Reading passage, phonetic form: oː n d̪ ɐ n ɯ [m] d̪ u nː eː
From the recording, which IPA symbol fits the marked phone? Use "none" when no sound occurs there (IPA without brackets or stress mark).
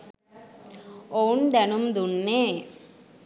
m